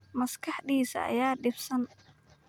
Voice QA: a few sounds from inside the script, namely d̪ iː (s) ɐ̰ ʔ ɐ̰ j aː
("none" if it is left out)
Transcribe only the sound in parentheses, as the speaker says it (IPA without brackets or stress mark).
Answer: s